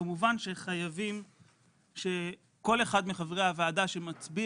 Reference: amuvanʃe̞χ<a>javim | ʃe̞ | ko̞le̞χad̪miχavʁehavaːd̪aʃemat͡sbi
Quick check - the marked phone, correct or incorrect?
correct